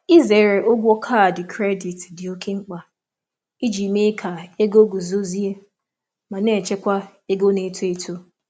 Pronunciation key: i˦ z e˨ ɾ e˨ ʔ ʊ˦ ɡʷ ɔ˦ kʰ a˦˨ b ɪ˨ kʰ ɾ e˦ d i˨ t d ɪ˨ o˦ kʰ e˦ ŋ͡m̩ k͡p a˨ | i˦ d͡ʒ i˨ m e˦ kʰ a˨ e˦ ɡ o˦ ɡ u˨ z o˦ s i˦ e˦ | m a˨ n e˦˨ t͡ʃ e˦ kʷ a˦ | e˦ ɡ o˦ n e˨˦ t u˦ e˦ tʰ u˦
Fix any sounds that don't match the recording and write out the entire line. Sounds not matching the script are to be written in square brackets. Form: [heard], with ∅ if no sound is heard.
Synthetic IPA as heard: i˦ z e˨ ɾ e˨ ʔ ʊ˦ ɡʷ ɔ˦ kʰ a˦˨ [d] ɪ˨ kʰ ɾ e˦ d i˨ t d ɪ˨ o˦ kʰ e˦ ŋ͡m̩ k͡p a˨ | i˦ d͡ʒ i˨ m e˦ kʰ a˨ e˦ ɡ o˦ ɡ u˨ z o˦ [z] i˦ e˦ | m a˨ n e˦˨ t͡ʃ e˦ kʷ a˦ | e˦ ɡ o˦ n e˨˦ t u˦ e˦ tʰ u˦